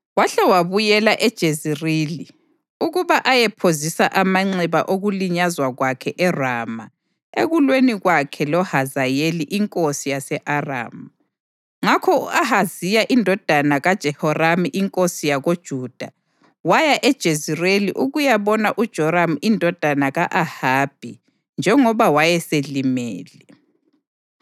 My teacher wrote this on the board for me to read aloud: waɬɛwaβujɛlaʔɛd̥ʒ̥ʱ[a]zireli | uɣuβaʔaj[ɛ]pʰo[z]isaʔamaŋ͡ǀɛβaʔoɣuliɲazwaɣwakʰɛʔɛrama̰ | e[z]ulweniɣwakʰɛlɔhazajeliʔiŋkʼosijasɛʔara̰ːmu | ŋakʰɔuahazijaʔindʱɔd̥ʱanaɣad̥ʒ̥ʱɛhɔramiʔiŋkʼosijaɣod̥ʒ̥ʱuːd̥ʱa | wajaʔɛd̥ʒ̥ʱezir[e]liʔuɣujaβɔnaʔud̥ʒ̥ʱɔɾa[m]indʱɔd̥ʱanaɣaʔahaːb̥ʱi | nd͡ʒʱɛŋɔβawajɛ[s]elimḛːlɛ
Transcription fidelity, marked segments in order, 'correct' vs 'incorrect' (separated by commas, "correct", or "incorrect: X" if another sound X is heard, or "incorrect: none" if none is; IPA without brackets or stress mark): incorrect: e, correct, correct, incorrect: ɣ, correct, correct, correct